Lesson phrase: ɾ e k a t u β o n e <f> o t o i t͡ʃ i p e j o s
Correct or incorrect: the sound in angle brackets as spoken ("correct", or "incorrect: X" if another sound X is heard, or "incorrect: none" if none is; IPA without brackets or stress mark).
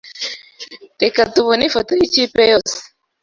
correct